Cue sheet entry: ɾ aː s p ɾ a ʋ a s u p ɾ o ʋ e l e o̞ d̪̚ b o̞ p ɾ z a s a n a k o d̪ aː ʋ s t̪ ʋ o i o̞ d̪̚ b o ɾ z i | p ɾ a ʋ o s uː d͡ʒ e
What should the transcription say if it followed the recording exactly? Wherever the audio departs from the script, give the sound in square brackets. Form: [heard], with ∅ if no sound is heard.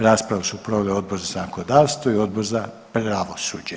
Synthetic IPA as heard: ɾ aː s p ɾ a ʋ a s u p ɾ o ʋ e l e o̞ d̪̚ b o̞ [∅] ɾ z a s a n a k o d̪ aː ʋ s t̪ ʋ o i o̞ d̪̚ b o ɾ z [a] | p ɾ a ʋ o s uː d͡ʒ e